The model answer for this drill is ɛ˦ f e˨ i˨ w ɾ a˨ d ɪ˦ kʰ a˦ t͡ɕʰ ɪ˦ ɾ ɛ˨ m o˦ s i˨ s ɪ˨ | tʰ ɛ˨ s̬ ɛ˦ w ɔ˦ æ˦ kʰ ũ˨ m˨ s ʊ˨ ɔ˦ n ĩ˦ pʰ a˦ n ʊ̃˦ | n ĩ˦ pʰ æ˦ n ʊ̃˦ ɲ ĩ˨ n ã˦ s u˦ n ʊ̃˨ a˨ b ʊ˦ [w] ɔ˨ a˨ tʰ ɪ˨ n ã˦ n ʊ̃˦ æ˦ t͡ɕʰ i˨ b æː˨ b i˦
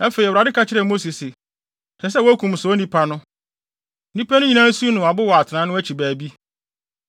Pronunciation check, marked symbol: correct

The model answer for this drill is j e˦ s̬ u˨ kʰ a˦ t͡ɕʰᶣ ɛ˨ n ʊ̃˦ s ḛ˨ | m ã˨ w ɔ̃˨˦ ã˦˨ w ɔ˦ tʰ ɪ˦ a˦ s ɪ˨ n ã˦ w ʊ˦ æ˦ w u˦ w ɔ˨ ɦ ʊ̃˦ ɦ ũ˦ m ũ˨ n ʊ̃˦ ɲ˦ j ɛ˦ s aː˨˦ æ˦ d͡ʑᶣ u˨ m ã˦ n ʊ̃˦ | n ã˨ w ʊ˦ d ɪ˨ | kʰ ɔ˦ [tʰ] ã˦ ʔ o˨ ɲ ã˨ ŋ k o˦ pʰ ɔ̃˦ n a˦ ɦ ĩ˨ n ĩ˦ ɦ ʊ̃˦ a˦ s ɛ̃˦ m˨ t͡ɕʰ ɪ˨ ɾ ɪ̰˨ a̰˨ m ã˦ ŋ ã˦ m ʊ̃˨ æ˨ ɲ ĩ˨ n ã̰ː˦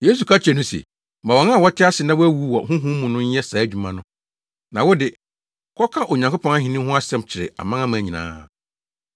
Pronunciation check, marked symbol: incorrect: kʰ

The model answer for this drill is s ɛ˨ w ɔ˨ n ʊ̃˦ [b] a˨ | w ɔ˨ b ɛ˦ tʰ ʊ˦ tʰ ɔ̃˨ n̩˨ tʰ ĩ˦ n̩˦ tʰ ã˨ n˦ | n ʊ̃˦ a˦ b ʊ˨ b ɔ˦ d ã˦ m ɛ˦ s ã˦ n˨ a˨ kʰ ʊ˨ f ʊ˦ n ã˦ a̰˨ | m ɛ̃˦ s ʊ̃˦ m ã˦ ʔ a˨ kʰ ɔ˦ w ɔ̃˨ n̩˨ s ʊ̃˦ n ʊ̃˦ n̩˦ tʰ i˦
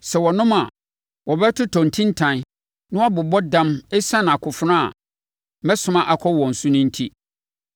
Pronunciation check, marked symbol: incorrect: m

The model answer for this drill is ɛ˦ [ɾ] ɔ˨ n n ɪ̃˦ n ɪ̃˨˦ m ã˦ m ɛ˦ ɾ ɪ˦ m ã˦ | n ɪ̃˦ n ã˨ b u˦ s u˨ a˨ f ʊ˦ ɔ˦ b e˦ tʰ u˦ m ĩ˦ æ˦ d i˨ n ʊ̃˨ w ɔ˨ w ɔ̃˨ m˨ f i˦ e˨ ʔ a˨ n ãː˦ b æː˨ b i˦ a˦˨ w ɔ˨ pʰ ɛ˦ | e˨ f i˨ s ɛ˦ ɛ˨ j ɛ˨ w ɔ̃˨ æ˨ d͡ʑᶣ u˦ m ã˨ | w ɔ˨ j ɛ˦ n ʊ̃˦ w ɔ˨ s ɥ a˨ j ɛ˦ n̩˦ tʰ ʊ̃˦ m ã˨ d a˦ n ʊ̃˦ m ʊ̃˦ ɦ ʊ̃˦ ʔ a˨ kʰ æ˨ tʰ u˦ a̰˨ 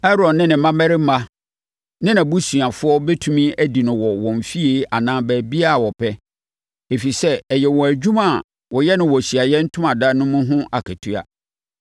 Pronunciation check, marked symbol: correct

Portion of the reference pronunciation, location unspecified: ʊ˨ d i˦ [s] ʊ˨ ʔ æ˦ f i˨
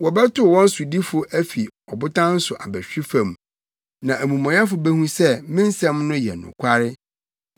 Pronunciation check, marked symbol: incorrect: f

